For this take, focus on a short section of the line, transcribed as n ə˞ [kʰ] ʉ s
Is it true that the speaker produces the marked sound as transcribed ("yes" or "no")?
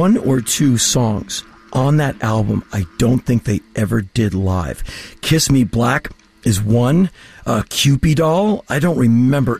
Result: no